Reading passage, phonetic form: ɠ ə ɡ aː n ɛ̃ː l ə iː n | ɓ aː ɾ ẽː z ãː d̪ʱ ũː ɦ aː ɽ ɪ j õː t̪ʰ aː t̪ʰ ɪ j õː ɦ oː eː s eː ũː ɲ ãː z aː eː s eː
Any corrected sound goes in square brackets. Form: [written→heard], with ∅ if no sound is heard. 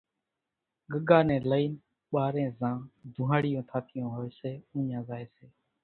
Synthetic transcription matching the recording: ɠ ə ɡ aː n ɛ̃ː l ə iː n | ɓ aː ɾ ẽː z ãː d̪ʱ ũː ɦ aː ɽ ɪ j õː t̪ʰ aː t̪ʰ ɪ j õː ɦ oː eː s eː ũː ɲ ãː z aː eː s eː